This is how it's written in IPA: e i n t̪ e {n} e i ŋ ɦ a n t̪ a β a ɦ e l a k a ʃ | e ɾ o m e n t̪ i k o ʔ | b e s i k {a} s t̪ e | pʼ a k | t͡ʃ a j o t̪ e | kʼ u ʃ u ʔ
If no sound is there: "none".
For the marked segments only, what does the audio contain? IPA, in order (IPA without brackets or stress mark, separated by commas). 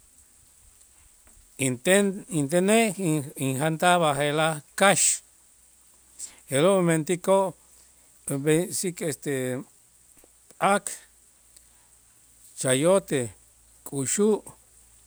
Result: n, e